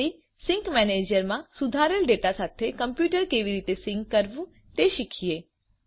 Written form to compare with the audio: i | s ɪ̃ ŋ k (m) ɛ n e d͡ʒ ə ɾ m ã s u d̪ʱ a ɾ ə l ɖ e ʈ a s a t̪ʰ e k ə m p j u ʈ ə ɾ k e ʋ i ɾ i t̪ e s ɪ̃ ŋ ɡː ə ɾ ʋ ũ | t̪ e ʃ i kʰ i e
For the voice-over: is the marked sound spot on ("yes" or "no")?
yes